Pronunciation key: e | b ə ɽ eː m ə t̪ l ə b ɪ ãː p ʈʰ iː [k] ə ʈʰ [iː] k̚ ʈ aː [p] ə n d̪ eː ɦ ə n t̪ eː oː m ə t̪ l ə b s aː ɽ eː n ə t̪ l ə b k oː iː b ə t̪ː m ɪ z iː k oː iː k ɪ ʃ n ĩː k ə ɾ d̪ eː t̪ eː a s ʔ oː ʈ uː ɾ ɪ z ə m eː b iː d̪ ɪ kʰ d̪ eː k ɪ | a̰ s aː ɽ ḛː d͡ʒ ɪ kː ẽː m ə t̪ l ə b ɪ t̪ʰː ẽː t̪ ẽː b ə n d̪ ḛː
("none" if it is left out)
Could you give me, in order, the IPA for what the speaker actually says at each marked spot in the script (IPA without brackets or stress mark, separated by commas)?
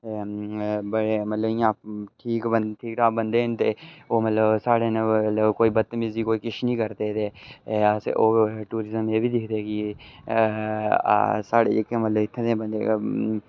k, iː, b